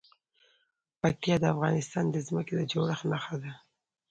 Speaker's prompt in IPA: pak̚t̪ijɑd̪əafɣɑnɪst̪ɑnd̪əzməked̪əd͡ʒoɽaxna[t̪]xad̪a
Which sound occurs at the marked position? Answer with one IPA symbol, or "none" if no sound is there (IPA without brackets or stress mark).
none